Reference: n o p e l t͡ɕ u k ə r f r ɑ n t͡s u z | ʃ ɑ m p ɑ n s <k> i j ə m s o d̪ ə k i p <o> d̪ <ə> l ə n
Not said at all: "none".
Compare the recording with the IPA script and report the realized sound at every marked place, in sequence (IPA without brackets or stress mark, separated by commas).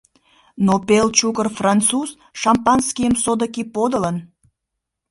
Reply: k, o, ə